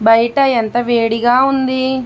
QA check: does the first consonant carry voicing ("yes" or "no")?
yes